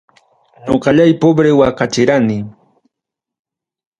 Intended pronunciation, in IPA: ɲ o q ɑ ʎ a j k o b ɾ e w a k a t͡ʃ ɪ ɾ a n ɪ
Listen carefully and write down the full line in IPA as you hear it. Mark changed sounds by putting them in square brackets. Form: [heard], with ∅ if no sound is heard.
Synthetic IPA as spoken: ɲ o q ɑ ʎ a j [p] o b ɾ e w a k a t͡ʃ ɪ ɾ a n ɪ